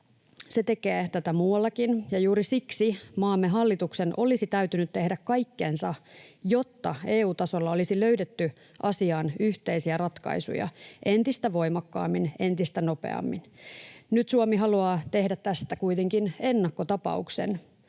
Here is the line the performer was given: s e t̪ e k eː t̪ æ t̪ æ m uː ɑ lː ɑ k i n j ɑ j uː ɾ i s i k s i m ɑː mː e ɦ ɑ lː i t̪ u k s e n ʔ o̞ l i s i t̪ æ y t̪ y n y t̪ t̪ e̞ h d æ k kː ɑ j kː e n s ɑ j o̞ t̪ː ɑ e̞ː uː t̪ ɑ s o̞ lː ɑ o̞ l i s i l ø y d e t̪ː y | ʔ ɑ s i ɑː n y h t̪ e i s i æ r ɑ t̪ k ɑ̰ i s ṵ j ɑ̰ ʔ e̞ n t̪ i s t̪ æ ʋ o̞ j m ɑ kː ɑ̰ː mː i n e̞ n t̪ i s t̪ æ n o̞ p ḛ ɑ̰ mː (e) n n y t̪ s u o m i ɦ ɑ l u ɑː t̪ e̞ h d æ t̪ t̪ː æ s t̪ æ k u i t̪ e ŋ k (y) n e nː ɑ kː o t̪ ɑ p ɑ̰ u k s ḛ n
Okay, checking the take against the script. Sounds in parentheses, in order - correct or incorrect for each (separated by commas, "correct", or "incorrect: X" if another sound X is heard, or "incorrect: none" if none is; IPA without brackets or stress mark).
incorrect: i, incorrect: i